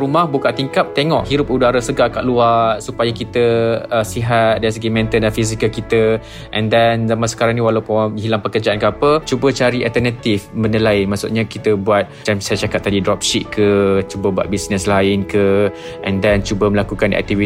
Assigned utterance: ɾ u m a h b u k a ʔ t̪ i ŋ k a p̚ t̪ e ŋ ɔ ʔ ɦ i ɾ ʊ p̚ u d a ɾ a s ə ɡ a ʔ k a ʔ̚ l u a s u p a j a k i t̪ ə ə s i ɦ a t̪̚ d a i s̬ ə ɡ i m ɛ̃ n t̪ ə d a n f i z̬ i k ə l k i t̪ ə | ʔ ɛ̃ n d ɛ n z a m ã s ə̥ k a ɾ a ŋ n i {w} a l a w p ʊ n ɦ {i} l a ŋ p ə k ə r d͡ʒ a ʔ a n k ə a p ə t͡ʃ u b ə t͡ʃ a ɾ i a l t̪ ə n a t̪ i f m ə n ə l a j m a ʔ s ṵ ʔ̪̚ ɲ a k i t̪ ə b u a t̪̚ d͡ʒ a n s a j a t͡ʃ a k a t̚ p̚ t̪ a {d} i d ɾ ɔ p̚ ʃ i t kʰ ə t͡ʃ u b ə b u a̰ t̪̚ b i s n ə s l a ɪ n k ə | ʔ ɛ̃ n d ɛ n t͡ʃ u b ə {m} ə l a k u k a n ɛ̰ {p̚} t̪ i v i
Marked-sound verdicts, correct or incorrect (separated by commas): correct, correct, correct, correct, incorrect